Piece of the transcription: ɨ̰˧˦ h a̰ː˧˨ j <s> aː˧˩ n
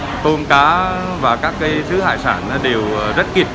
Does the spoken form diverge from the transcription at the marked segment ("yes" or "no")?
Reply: no